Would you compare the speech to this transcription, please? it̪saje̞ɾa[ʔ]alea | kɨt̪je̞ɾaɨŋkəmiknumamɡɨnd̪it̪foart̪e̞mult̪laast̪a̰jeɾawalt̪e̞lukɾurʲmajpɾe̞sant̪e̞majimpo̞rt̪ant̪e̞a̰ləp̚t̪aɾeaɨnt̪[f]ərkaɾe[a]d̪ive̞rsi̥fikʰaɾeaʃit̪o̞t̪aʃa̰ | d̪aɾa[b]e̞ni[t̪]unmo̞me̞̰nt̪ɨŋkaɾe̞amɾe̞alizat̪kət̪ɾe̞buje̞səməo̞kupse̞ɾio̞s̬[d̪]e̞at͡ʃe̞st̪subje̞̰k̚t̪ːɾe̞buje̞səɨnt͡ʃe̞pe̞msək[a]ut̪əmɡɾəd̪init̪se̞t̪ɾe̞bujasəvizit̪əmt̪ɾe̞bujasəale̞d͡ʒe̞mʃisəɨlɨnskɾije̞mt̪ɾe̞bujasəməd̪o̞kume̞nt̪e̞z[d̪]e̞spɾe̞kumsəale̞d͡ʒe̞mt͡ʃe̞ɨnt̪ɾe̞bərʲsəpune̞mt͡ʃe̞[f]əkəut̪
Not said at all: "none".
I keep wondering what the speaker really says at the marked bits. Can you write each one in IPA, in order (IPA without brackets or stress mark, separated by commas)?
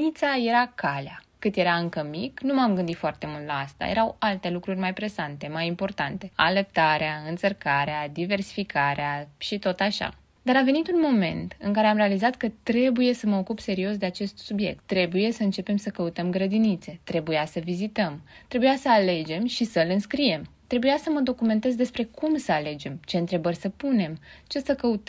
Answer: k, s, a, v, t̪, d̪, ə, d̪, s